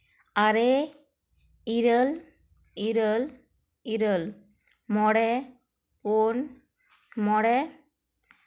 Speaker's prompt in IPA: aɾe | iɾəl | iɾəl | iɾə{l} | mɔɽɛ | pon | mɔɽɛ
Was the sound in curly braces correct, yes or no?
yes